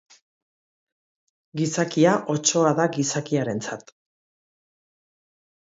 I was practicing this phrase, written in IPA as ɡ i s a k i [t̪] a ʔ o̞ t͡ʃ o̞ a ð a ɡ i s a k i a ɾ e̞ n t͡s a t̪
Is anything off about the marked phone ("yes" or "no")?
yes